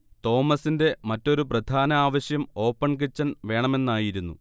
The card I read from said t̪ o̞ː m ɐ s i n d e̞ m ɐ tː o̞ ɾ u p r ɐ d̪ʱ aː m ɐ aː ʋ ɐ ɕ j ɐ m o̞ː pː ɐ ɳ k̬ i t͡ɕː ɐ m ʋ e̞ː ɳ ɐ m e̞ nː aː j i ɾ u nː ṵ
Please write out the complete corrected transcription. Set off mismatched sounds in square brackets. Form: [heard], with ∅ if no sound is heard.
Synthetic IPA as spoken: t̪ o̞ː m ɐ s i n d e̞ m ɐ tː o̞ ɾ u p r ɐ d̪ʱ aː [n] ɐ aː ʋ ɐ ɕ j ɐ m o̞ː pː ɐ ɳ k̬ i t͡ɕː ɐ [n] ʋ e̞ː ɳ ɐ m e̞ nː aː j i ɾ u nː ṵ